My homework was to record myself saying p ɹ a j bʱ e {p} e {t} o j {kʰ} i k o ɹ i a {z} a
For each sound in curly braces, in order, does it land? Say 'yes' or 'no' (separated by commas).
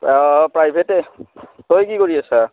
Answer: no, yes, no, no